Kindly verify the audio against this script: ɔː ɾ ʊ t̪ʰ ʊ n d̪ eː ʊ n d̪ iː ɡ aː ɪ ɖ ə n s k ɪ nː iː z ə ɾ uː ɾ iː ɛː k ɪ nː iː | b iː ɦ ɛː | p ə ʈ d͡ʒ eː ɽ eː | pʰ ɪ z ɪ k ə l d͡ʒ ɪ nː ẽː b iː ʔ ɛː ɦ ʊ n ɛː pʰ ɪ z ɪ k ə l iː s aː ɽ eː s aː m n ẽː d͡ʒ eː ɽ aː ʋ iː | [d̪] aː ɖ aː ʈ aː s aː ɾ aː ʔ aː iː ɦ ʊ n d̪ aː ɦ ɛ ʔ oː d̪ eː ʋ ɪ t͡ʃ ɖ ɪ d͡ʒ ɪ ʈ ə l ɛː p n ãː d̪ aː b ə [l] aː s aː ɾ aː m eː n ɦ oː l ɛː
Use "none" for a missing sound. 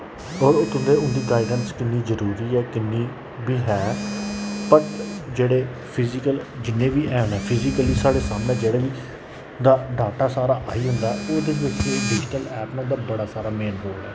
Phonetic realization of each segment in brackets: d̪, ɽ

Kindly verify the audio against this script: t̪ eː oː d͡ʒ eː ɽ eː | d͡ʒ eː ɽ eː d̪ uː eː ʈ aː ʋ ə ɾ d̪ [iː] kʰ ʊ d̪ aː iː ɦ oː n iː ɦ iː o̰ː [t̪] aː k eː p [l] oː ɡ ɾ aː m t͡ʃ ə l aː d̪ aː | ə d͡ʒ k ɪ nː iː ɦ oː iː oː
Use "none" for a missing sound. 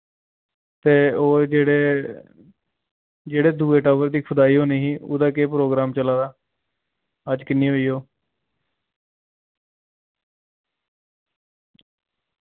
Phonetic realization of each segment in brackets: iː, d̪, ɾ

